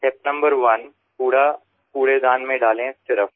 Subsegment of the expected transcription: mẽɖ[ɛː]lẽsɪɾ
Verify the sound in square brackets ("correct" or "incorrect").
incorrect